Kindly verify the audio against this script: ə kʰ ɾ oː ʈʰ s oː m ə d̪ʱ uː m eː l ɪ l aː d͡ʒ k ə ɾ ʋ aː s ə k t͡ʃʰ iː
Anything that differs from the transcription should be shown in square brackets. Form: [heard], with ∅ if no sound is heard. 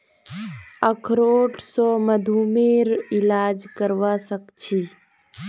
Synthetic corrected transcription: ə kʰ ɾ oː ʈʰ s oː m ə d̪ʱ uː m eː [ɾ] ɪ l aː d͡ʒ k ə ɾ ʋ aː s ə k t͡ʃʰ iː